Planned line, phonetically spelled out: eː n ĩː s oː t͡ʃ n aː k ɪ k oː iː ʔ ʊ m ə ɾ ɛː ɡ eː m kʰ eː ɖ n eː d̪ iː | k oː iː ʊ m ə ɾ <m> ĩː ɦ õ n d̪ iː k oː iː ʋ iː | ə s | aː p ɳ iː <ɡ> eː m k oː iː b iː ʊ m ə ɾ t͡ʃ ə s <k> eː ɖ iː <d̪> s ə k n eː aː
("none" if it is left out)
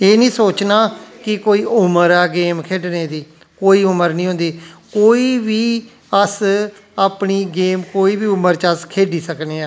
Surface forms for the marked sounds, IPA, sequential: n, ɡ, kʰ, none

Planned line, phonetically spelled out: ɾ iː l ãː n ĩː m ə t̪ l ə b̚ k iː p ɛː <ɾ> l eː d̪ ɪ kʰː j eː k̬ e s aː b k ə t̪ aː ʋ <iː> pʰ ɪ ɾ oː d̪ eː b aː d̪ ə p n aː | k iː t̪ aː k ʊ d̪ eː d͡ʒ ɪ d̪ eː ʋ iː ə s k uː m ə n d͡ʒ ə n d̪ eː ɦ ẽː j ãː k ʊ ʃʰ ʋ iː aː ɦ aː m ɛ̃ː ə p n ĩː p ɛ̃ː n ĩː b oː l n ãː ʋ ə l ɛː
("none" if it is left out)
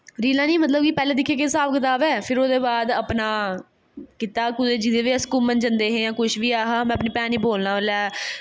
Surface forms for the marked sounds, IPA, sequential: none, ɛː

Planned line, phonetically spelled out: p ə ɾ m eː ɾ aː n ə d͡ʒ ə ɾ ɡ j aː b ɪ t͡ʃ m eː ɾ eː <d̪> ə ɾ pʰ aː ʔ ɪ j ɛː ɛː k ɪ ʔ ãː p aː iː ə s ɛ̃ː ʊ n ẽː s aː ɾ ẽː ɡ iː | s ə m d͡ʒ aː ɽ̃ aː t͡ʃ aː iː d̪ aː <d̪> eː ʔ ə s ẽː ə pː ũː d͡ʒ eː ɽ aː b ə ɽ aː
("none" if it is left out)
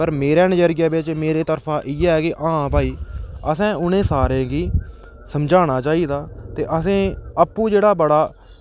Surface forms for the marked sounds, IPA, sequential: t̪, t̪

